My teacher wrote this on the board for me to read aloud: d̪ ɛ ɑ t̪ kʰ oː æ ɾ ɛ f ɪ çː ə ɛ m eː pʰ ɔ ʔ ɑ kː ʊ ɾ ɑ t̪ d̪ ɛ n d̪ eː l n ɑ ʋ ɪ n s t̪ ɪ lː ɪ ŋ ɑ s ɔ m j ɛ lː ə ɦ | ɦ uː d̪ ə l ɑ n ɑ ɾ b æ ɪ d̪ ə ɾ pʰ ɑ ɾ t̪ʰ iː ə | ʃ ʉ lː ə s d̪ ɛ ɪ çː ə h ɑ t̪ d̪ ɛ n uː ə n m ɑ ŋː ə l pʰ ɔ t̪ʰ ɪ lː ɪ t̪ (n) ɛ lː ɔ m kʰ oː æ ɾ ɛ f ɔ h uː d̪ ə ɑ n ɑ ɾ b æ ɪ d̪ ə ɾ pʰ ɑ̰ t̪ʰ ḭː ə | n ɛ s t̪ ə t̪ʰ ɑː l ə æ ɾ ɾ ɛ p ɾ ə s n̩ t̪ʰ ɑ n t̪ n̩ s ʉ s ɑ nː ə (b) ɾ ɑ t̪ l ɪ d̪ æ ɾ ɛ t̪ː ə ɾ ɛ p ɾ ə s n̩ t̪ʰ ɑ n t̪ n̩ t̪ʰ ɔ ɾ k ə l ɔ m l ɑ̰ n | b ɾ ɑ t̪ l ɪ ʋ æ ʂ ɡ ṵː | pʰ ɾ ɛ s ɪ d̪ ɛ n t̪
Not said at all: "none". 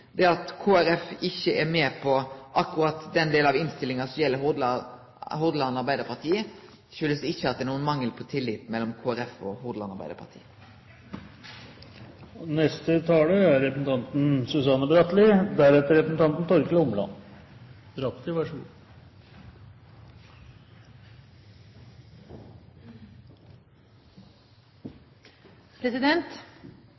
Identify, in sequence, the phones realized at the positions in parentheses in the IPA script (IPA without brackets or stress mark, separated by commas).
m, b